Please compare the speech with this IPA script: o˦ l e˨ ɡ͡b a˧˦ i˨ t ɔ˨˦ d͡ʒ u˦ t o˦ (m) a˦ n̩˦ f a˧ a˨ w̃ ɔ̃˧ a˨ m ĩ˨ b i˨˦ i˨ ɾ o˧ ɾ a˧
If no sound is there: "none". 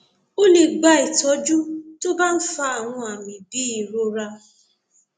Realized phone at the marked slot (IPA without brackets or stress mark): b